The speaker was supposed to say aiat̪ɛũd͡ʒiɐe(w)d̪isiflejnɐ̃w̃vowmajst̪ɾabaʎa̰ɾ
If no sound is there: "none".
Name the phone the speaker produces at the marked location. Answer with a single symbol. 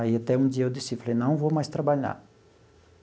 w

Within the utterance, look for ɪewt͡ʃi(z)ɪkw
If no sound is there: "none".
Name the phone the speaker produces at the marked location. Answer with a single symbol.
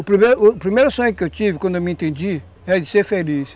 v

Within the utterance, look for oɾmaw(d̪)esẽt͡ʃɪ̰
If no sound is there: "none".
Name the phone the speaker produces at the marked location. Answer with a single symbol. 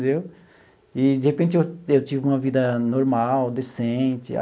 d̪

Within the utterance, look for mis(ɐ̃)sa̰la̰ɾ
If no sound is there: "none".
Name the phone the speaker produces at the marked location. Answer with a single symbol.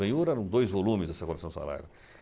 ɐ̃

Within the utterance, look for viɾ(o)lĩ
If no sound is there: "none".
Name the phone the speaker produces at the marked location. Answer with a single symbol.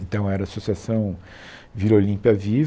o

